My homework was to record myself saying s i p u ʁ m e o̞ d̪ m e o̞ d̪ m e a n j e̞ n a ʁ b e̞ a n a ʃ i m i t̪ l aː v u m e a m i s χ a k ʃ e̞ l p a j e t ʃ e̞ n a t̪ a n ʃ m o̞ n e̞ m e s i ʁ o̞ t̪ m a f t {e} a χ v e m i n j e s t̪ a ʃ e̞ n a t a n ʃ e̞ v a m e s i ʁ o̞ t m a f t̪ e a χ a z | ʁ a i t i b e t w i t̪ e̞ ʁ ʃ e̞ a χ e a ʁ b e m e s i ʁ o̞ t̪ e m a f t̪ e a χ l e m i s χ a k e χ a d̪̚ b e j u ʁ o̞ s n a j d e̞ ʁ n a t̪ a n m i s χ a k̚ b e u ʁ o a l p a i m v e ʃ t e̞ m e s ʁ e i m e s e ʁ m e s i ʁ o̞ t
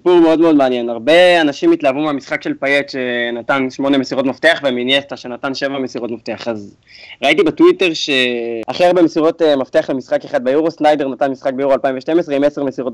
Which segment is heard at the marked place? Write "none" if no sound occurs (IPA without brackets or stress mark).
e